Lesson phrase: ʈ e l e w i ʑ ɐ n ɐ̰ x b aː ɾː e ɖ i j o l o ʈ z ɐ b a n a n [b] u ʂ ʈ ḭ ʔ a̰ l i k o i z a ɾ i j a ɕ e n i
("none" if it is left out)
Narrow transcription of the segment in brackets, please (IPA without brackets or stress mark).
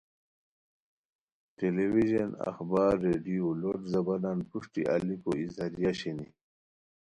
p